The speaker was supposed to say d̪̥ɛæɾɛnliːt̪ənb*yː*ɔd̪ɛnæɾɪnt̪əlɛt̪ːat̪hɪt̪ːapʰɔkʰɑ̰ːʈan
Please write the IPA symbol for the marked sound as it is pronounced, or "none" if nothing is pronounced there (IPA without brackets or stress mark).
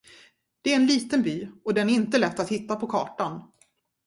yː